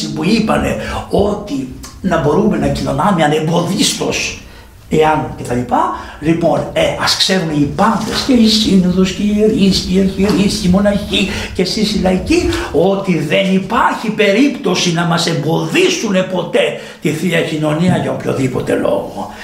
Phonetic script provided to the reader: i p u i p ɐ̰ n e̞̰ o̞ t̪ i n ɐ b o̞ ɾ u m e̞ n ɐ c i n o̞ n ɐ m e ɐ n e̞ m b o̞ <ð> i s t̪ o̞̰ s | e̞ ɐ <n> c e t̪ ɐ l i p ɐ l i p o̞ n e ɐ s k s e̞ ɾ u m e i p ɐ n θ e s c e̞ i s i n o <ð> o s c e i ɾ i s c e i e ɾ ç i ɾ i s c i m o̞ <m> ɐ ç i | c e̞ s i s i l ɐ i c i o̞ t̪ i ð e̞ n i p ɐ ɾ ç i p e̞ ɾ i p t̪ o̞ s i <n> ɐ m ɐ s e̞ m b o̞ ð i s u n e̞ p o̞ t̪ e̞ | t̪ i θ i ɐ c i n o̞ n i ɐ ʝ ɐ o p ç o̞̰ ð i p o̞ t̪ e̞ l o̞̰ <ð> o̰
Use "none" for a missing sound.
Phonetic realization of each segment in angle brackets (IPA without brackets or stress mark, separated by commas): ð, n, ð, n, n, ɣ